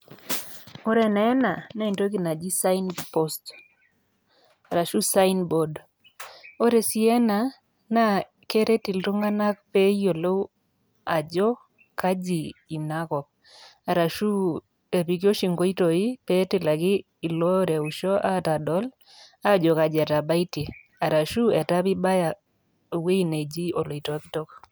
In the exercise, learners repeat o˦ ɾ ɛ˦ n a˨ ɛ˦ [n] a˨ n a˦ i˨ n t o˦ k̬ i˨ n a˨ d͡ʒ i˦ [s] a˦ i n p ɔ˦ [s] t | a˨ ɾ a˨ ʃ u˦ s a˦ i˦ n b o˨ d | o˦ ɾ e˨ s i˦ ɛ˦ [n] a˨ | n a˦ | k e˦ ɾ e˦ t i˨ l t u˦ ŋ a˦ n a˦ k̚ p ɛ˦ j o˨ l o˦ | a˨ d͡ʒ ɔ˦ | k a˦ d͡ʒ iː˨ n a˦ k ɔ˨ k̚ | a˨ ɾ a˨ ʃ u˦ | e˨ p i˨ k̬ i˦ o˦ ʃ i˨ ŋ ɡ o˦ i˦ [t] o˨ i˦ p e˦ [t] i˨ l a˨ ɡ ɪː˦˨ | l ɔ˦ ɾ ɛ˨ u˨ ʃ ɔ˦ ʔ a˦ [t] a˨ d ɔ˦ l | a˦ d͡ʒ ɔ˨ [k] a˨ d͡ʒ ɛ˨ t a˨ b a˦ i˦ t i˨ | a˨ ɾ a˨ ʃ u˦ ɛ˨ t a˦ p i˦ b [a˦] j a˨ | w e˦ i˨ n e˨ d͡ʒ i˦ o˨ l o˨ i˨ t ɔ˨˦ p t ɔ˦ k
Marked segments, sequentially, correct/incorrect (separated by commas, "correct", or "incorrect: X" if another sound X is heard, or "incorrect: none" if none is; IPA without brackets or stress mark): correct, correct, correct, correct, correct, correct, correct, correct, correct